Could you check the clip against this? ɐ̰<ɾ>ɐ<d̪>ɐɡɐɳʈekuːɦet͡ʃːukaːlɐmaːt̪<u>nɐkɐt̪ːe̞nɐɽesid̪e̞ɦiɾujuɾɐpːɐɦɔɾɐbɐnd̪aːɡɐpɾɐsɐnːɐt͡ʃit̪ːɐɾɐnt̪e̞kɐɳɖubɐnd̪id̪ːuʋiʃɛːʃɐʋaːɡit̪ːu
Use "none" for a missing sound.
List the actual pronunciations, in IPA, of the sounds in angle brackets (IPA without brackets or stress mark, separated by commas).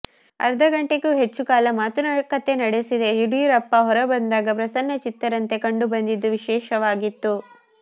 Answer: ɾ, d̪, u